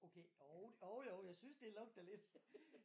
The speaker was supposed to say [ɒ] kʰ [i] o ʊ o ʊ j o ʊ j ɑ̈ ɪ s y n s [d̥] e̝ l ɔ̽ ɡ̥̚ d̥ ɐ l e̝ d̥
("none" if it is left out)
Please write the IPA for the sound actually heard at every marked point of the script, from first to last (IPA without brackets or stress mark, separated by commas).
o, e, d̥